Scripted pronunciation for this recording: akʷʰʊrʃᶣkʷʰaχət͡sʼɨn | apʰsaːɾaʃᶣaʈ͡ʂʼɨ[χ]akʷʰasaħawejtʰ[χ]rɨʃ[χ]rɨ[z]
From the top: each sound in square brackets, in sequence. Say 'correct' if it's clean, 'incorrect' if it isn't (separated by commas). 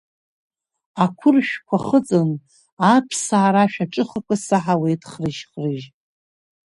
correct, correct, correct, incorrect